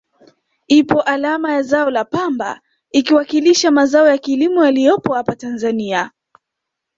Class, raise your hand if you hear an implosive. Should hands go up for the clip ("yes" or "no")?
no